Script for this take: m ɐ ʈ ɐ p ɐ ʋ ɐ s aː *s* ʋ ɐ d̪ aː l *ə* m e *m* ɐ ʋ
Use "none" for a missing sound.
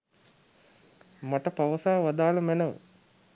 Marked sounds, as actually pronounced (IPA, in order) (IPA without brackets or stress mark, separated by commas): none, ɐ, n